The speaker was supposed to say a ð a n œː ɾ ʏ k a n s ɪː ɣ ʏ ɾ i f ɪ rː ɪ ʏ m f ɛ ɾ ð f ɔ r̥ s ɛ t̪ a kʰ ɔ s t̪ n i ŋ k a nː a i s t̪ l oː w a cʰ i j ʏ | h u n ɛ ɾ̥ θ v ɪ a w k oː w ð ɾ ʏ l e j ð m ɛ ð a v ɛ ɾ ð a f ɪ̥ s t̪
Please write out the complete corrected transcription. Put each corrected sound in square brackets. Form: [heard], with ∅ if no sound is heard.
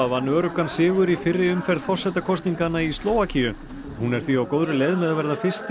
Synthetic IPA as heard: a [v] a n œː ɾ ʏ k a n s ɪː ɣ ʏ ɾ i f ɪ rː ɪ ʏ m f ɛ ɾ ð f ɔ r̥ s ɛ t̪ a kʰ ɔ s t̪ n i ŋ k a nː a i s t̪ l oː w a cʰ i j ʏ | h u n ɛ ɾ̥ θ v [i] a w k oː w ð ɾ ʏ l e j ð m ɛ ð a v ɛ ɾ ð a f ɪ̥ s t̪